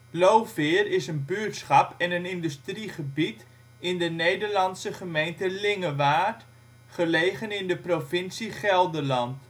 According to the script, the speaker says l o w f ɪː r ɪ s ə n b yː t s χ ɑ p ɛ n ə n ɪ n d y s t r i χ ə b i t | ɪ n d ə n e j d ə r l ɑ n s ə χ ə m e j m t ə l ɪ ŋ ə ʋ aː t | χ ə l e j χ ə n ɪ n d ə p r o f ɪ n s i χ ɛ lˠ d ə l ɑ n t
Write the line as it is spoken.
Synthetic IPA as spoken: l o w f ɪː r ɪ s ə n b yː t s χ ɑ p ɛ n ə n ɪ n d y s t r i χ ə b i t | ɪ n d ə n e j d ə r l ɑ n s ə χ ə m e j n t ə l ɪ ŋ ə ʋ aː t | χ ə l e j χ ə n ɪ n d ə p r o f ɪ n s i χ ɛ lˠ d ə l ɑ n t